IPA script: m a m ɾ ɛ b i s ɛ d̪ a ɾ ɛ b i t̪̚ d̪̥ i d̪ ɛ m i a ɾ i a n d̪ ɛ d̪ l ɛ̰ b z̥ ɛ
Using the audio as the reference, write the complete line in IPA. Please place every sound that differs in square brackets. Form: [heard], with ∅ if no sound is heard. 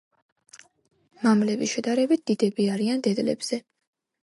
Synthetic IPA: m a m [l] ɛ b i [ʃ] ɛ d̪ a ɾ ɛ b i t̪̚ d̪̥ i d̪ ɛ [b] i a ɾ i a n d̪ ɛ d̪ l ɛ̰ b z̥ ɛ